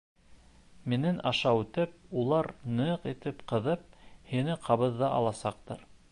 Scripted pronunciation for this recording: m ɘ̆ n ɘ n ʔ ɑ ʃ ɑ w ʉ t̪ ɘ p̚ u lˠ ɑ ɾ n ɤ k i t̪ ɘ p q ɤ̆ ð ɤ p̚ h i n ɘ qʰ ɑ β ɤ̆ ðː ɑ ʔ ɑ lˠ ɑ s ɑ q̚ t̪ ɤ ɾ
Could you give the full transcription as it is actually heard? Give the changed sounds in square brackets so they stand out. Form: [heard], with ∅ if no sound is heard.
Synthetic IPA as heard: m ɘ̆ n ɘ n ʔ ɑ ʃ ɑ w ʉ t̪ ɘ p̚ u lˠ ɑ ɾ n ɤ [q] i t̪ ɘ p q ɤ̆ ð ɤ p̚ h i n ɘ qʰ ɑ β ɤ̆ ðː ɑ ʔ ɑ lˠ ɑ s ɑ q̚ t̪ ɤ ɾ